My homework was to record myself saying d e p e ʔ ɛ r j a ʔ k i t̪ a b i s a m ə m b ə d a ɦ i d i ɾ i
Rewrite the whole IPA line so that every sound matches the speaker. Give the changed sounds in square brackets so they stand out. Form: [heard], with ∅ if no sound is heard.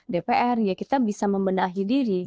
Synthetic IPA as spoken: d e p e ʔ ɛ r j a [∅] k i t̪ a b i s a m ə m b ə [n] a ɦ i d i ɾ i